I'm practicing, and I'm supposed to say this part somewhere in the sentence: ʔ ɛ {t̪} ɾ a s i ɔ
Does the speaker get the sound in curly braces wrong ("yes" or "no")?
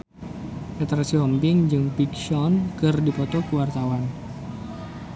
no